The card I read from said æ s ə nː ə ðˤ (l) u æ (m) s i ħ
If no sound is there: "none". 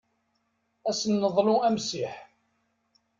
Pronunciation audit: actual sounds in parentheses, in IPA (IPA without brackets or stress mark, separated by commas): l, m